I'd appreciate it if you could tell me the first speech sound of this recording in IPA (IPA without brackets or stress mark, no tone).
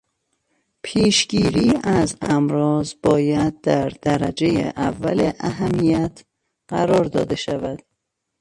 pʰ